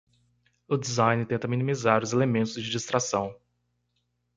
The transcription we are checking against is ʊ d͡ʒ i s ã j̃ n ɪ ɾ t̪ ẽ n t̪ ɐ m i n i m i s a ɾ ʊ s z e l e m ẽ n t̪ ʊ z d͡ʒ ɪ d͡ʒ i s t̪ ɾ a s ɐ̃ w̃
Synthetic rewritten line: ʊ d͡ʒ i z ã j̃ n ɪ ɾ t̪ ẽ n t̪ ɐ m i n i m i z a ɾ ʊ z e l e m ẽ n t̪ ʊ z d͡ʒ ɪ d͡ʒ i s t̪ ɾ a s ɐ̃ w̃